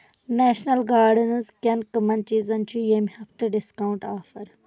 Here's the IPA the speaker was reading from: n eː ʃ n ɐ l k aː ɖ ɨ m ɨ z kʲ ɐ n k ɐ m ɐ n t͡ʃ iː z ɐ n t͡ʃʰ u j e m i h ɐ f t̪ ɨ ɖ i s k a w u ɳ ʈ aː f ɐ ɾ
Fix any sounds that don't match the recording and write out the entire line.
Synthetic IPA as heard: n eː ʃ n ɐ l ɡ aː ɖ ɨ n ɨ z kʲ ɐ n k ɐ m ɐ n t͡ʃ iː z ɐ n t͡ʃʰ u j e m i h ɐ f t̪ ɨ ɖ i s k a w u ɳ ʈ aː f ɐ ɾ